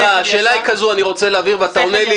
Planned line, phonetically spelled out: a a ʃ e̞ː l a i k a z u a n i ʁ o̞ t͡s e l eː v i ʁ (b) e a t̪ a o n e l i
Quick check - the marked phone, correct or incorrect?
incorrect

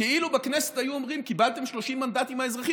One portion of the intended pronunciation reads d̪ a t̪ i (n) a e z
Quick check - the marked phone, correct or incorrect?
incorrect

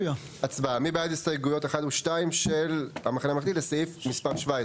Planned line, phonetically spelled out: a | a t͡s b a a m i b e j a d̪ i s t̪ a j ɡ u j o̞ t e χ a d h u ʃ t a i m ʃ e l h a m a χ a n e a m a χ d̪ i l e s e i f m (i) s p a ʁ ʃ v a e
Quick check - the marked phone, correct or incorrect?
correct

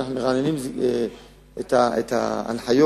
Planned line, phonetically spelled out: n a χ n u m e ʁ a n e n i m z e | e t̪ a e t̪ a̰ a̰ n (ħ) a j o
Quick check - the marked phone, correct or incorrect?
correct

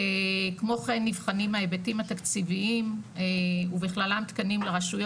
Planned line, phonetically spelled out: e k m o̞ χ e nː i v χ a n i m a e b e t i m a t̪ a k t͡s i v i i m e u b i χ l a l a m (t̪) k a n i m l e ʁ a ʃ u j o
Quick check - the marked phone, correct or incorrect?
correct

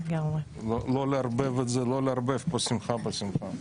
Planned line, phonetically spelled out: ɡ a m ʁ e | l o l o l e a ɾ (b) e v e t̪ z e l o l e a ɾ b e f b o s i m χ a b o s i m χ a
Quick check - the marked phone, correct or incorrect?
correct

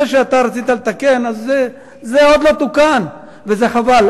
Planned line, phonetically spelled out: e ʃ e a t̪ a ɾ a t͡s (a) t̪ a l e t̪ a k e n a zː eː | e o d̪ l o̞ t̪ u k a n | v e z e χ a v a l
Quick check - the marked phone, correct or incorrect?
incorrect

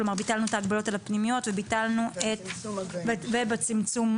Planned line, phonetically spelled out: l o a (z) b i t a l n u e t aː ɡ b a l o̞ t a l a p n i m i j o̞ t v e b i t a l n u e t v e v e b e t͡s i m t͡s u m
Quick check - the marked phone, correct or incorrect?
incorrect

